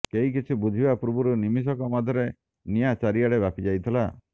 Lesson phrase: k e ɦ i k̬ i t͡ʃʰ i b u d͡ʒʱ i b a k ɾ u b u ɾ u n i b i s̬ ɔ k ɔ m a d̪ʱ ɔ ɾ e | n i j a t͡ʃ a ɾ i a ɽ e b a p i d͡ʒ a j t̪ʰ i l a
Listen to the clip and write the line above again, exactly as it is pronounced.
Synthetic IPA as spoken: k e ɦ i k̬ i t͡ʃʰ i b u d͡ʒʱ i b a p ɾ u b u ɾ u n i m i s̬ ɔ k ɔ m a d̪ʱ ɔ ɾ e | n i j a t͡ʃ a ɾ i a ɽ e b a p i d͡ʒ a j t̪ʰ i l a